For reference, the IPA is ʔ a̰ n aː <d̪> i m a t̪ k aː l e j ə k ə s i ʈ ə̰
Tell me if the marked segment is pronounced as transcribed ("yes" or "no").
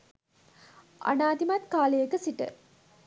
yes